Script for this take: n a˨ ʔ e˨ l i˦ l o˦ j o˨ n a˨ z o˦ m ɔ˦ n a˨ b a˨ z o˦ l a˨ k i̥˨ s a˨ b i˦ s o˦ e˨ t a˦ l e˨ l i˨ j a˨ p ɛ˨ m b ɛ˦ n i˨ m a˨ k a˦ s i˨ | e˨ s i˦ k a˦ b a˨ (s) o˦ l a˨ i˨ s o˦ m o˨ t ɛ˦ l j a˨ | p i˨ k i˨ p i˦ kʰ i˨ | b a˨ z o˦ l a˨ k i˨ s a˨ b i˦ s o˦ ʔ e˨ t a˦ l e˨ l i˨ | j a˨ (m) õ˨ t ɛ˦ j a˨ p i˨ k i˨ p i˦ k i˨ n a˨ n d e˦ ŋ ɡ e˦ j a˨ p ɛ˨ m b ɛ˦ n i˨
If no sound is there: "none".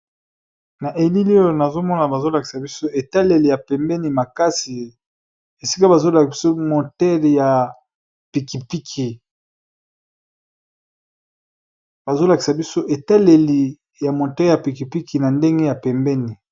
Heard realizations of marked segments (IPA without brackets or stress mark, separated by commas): z, m